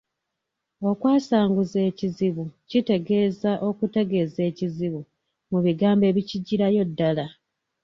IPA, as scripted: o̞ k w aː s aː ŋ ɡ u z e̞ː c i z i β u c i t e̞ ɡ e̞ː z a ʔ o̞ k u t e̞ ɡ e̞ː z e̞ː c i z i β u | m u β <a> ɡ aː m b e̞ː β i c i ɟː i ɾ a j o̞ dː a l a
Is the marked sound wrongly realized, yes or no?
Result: yes